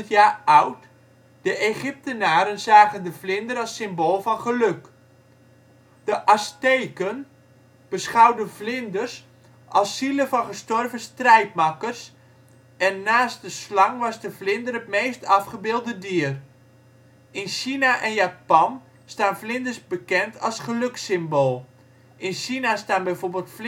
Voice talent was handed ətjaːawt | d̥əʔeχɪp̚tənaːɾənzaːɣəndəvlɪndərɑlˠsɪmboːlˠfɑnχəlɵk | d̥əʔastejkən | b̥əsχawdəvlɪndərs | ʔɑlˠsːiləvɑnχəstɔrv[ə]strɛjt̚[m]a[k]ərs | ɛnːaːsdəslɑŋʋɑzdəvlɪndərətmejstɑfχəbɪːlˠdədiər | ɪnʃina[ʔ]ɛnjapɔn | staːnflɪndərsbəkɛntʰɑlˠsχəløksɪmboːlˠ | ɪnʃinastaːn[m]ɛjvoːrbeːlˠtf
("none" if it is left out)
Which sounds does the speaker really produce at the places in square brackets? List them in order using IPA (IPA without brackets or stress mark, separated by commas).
ə, m, k, ʔ, b